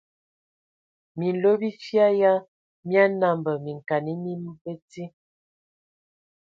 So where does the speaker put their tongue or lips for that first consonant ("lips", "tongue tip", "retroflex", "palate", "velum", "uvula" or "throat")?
lips